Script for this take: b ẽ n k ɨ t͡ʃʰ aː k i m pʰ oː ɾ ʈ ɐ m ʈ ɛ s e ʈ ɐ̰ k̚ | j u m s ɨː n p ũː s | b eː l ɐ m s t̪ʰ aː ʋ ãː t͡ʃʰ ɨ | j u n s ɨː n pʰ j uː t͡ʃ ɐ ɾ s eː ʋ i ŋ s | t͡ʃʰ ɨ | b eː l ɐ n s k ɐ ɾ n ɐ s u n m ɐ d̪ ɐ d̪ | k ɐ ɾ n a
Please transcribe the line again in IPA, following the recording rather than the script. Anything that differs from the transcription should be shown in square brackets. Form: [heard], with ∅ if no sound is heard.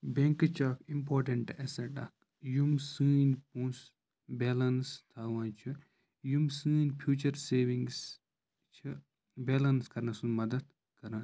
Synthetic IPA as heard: b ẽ [ŋ] k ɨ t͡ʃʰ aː k i m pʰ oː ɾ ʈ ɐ [ɳ] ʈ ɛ s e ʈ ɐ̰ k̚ | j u m s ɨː n p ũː s | b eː l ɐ [n] s t̪ʰ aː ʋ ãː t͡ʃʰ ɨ | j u [m] s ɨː n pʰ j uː t͡ʃ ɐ ɾ s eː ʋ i ŋ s | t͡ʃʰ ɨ | b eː l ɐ n s k ɐ ɾ n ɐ s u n m ɐ d̪ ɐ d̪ | k ɐ ɾ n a